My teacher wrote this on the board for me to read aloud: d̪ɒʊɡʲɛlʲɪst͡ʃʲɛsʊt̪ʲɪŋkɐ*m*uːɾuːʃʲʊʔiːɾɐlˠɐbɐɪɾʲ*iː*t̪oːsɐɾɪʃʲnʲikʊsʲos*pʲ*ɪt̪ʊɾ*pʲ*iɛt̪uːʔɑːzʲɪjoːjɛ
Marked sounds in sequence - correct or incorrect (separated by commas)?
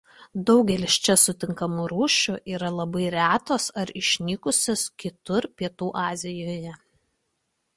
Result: correct, incorrect, incorrect, correct